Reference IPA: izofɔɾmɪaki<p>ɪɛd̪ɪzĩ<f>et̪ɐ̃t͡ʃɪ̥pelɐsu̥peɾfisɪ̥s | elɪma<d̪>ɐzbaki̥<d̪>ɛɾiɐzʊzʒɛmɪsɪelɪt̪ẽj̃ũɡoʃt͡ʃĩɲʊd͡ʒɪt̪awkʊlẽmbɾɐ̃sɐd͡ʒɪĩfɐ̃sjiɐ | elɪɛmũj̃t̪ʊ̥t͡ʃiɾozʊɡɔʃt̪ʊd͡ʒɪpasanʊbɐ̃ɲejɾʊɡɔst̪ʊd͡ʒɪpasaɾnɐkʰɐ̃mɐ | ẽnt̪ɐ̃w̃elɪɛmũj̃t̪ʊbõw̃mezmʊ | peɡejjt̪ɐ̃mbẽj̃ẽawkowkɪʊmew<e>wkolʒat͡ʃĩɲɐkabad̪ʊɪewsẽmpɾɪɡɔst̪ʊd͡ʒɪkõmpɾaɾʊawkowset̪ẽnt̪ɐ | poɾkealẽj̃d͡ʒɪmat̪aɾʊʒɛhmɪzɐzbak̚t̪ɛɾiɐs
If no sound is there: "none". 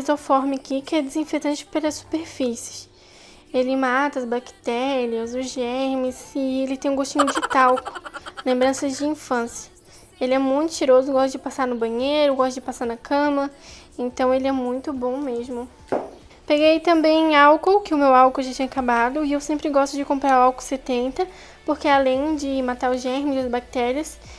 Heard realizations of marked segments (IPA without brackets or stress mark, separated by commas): k, f, t̪, t̪, a